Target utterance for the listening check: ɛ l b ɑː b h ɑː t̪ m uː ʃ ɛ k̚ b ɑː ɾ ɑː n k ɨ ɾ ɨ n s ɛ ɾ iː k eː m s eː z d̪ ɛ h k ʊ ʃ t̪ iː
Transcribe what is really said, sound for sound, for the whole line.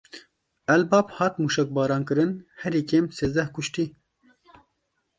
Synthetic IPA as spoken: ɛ l b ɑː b h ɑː t̪ m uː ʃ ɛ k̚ b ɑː ɾ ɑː n k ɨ ɾ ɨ n h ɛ ɾ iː k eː m s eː z d̪ ɛ h k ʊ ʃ t̪ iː